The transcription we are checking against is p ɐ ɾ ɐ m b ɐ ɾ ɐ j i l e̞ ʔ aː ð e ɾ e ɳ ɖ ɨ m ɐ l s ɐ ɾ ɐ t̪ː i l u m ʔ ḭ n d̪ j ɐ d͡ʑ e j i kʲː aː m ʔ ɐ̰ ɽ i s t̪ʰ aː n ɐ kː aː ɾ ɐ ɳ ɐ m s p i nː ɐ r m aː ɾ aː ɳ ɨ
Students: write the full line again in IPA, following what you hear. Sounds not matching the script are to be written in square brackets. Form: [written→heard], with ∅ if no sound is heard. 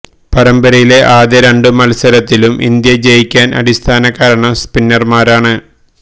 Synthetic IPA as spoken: p ɐ ɾ ɐ m b ɐ ɾ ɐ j i l e̞ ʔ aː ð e ɾ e ɳ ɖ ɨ m ɐ l s ɐ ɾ ɐ t̪ː i l u m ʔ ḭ n d̪ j ɐ d͡ʑ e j i kʲː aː [m→n] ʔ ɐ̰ ɽ i s t̪ʰ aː n ɐ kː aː ɾ ɐ ɳ ɐ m s p i nː ɐ r m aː ɾ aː ɳ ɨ